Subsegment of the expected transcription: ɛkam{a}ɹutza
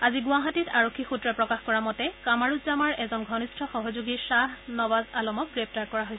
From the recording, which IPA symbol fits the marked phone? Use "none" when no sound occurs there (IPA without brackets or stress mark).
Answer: a